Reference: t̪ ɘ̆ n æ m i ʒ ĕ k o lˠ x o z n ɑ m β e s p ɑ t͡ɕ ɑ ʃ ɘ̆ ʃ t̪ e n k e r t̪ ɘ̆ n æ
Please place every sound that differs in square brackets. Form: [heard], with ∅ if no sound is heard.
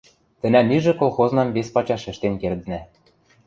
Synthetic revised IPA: t̪ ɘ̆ n æ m i ʒ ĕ k o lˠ x o z n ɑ m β e s p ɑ t͡ɕ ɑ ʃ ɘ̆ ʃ t̪ e n k e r [d̪] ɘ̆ n æ